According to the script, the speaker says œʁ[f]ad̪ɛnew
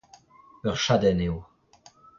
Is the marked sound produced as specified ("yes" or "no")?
no